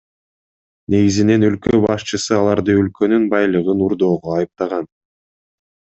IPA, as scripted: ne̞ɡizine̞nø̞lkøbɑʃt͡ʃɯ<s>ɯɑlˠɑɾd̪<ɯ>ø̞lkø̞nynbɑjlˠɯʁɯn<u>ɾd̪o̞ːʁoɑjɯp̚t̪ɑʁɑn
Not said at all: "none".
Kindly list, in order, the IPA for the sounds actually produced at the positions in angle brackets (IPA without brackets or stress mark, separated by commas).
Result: s, ɯ, u